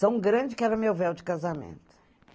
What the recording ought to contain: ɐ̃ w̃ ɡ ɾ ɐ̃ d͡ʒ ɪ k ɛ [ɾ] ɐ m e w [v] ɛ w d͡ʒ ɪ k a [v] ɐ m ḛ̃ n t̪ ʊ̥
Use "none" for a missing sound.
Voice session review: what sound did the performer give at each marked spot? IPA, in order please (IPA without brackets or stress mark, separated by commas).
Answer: ɾ, v, z